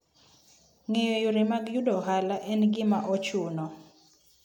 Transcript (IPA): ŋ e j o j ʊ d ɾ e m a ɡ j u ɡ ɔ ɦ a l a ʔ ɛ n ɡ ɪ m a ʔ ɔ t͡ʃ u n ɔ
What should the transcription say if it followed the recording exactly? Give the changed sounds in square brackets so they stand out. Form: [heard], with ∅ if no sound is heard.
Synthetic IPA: ŋ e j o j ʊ [∅] ɾ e m a ɡ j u [d] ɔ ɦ a l a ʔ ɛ n ɡ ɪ m a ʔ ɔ t͡ʃ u n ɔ